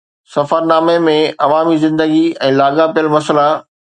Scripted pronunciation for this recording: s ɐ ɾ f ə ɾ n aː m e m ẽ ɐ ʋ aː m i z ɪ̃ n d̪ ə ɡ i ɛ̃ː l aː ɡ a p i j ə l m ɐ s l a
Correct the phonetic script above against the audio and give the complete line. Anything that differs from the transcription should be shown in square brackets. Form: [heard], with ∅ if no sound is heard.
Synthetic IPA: s ɐ [∅] f ə ɾ n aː m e m ẽ ɐ ʋ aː m i z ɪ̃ n d̪ ə ɡ i ɛ̃ː l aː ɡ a p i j ə l m ɐ s l a